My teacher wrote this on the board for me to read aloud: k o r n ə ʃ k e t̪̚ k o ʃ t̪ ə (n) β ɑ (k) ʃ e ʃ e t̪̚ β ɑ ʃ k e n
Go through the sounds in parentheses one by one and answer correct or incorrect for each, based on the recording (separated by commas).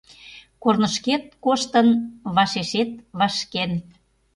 correct, incorrect